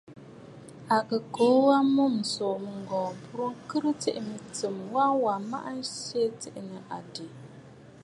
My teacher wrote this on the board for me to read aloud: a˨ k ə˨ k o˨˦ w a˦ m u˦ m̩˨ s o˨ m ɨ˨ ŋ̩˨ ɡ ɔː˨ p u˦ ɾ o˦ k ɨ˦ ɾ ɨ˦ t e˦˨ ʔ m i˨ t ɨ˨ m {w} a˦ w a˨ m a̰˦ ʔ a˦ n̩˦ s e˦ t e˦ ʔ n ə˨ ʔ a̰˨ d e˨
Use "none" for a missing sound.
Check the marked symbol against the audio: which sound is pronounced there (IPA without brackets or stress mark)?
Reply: w